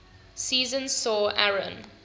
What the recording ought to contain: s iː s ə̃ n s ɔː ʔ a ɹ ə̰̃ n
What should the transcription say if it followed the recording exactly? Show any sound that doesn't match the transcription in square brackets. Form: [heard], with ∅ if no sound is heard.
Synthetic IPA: s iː [z] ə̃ n s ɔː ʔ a ɹ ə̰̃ n